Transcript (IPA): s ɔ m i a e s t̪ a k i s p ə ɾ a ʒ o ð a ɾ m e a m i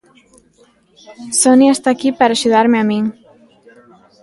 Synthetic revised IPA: s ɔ n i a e s t̪ a k i p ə ɾ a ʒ u ð a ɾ m e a m i